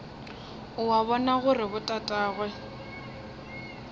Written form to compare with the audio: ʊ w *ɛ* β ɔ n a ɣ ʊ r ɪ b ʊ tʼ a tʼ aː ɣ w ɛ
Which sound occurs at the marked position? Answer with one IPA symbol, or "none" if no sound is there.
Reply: a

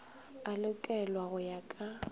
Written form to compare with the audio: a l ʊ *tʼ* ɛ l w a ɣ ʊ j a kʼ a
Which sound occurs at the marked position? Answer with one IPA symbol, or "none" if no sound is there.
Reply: kʼ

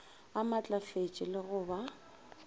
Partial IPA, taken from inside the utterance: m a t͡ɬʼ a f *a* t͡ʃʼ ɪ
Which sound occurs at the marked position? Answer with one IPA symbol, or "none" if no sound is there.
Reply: e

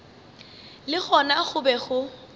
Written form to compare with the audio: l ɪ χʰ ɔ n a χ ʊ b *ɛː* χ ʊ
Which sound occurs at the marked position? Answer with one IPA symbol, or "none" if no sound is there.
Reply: ɛ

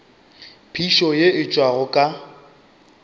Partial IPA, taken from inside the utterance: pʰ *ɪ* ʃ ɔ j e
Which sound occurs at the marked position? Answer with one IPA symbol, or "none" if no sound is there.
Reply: i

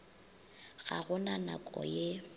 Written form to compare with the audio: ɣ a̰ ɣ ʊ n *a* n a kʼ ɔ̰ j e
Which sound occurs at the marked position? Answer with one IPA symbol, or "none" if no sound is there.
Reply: a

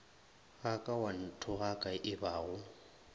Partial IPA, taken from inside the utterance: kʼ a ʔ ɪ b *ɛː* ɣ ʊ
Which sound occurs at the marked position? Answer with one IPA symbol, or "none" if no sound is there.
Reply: aː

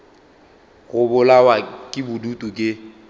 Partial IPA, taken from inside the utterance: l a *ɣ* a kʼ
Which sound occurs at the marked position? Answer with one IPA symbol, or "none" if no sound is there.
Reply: w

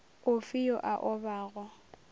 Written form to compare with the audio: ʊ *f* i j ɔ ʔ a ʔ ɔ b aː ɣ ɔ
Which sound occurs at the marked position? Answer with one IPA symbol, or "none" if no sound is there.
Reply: f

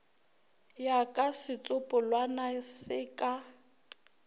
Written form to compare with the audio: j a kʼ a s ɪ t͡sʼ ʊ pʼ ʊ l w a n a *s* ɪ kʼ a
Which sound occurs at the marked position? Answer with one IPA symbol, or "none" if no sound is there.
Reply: s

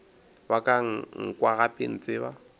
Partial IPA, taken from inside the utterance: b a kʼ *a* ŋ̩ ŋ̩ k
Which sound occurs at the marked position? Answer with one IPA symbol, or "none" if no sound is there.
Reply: a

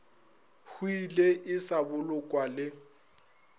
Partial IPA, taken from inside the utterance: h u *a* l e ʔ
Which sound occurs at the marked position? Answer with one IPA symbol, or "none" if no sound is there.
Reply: i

